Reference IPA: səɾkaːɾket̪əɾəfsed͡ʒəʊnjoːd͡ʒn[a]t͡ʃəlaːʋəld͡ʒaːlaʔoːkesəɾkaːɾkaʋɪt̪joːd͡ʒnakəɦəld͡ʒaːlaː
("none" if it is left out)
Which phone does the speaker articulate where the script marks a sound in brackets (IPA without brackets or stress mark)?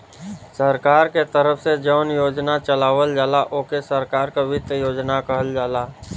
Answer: a